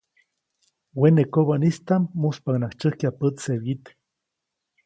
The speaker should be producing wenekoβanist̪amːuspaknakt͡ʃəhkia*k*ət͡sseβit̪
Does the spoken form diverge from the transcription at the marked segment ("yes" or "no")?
yes